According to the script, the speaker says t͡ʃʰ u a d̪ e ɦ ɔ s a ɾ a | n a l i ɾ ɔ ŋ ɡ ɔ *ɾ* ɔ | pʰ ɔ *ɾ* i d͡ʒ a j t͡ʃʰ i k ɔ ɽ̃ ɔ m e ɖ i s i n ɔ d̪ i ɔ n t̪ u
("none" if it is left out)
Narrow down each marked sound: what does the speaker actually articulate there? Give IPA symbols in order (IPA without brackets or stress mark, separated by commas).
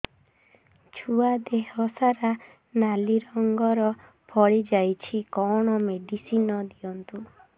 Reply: ɾ, ɭ